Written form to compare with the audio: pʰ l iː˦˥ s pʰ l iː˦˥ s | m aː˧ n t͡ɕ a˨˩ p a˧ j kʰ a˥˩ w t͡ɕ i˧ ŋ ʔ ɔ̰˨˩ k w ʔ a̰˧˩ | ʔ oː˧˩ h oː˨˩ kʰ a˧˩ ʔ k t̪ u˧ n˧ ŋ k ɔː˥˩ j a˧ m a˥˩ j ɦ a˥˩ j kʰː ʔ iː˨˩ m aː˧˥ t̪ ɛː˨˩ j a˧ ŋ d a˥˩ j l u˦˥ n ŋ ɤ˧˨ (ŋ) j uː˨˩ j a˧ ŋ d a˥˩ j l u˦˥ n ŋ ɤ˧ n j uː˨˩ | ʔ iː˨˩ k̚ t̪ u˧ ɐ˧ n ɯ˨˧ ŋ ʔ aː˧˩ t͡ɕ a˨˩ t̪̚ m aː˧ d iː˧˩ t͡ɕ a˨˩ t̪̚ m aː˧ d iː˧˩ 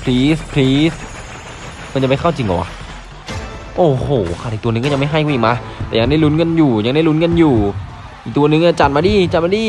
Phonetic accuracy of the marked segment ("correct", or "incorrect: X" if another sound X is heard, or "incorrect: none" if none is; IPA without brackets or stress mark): incorrect: n